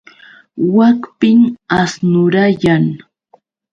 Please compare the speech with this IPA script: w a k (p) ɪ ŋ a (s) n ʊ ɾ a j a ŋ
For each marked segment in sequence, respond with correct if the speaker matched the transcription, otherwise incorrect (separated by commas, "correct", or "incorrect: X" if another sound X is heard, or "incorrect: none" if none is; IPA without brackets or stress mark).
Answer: correct, correct